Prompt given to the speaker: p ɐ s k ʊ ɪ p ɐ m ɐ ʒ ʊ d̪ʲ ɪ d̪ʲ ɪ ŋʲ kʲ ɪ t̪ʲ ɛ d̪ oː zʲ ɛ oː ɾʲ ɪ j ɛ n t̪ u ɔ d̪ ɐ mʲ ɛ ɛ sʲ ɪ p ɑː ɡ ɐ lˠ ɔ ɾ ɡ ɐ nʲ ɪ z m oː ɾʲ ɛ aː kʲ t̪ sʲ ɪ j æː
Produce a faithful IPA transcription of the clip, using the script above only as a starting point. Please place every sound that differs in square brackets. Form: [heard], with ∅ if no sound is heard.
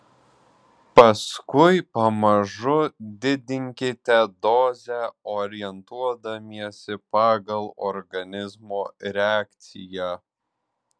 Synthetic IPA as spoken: p ɐ s k ʊ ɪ p ɐ m ɐ ʒ ʊ d̪ʲ ɪ d̪ʲ ɪ ŋʲ kʲ ɪ t̪ʲ ɛ d̪ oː zʲ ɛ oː ɾʲ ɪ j ɛ n t̪ u ɔ d̪ ɐ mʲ [i] ɛ sʲ ɪ p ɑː ɡ ɐ lˠ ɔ ɾ ɡ ɐ nʲ ɪ z m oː ɾʲ ɛ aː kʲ t̪ sʲ ɪ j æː